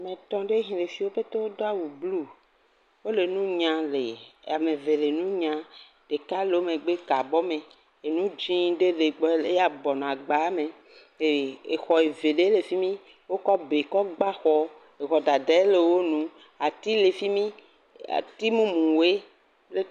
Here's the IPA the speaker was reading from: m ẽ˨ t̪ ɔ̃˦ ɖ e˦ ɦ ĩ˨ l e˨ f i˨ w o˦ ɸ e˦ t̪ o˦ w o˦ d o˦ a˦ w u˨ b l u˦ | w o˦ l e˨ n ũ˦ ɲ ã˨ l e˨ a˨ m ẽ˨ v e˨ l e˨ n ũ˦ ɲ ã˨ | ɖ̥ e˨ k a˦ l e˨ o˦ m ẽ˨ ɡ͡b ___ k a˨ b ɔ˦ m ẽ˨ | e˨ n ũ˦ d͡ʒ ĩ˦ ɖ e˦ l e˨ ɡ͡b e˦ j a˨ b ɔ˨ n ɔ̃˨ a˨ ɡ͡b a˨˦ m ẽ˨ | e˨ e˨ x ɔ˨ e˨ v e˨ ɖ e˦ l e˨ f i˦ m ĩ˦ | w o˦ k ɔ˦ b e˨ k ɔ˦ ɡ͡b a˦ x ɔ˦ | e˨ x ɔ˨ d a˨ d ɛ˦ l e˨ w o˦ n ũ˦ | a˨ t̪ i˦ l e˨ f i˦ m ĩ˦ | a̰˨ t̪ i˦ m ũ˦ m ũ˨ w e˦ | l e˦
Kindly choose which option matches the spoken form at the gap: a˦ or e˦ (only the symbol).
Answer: e˦